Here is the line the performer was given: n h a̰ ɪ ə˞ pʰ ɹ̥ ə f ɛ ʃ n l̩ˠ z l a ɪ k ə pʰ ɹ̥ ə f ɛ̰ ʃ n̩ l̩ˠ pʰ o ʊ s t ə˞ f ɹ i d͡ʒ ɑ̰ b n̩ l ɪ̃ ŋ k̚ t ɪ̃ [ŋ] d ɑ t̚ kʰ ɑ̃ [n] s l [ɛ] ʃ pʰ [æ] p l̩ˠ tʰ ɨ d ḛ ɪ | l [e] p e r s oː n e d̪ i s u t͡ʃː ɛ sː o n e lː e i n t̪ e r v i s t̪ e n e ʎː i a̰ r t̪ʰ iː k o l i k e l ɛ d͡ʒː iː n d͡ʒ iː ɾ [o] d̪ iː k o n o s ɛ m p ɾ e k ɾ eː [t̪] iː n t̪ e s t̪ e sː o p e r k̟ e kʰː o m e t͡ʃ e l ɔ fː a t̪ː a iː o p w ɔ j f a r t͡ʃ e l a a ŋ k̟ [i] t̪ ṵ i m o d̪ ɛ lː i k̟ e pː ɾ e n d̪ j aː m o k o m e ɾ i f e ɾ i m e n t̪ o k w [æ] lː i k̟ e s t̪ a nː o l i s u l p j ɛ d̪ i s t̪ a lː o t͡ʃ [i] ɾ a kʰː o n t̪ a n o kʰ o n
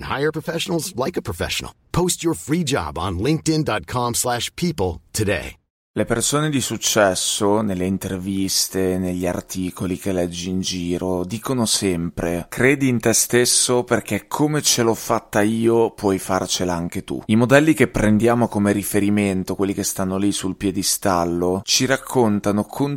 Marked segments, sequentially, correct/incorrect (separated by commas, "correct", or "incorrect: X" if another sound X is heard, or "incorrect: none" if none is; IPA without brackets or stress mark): incorrect: n, incorrect: m, incorrect: æ, incorrect: i, correct, correct, incorrect: d̪, incorrect: e, incorrect: e, correct